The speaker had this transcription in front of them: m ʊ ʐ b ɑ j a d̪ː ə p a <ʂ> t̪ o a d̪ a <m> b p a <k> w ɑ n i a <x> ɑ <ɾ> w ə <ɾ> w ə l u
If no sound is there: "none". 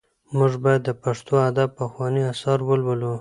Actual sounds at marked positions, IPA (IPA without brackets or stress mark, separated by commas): ʂ, none, x, s, ɾ, l